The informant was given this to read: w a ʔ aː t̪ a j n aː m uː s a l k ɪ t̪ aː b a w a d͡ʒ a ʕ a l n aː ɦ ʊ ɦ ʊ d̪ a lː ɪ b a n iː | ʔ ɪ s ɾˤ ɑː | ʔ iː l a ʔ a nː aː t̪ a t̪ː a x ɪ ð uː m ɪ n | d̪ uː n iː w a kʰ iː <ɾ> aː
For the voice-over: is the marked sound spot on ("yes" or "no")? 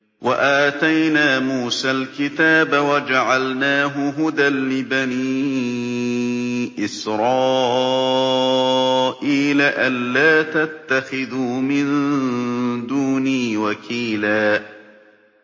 no